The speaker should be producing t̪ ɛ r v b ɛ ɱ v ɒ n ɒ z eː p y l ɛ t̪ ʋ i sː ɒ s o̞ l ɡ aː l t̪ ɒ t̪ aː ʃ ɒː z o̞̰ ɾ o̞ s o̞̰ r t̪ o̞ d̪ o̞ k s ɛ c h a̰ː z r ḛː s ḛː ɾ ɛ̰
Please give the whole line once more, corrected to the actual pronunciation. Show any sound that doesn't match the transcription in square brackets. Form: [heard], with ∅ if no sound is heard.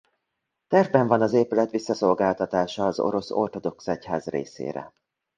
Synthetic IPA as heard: t̪ ɛ r v b ɛ ɱ v ɒ n ɒ z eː p y l ɛ t̪ ʋ i sː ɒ s o̞ l ɡ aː l t̪ ɒ t̪ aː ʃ ɒː z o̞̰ ɾ o̞ s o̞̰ r t̪ o̞ d̪ o̞ k s ɛ c h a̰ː z r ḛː s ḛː ɾ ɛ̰